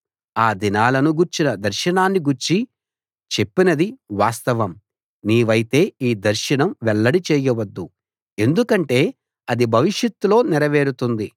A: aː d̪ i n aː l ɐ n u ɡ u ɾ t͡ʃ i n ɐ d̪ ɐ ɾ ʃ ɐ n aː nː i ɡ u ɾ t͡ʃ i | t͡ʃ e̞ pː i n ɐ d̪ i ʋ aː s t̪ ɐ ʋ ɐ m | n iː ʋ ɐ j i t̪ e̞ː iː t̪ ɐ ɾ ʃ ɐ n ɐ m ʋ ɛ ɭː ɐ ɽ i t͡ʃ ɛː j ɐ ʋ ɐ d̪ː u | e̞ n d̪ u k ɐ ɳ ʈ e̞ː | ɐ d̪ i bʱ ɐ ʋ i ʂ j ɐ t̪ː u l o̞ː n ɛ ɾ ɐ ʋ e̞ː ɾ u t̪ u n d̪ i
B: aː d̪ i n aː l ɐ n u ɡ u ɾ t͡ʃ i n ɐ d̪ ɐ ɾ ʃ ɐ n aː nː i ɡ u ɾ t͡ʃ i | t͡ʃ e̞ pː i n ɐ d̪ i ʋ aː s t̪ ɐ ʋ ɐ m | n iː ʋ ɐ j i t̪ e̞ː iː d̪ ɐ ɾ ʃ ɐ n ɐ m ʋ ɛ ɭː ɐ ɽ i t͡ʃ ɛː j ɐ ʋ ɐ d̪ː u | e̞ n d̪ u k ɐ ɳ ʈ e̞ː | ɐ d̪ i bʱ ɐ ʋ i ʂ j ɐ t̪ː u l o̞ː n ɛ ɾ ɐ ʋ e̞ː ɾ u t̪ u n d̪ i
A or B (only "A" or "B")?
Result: B